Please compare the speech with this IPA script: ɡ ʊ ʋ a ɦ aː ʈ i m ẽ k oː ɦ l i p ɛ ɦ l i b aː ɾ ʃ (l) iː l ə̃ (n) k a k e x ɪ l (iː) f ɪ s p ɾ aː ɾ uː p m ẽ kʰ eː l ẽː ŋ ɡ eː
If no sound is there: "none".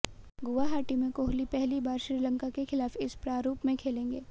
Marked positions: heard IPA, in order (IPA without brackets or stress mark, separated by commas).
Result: ɾ, ŋ, aː